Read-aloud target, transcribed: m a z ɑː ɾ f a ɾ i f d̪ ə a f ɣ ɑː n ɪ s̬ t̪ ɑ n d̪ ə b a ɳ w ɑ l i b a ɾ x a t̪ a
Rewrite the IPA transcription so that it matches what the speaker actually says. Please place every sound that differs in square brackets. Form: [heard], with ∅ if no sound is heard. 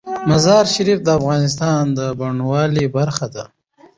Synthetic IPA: m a z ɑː ɾ [ʃ] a ɾ i f d̪ ə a f ɣ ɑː n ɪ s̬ t̪ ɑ n d̪ ə b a ɳ w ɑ l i b a ɾ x a [d̪] a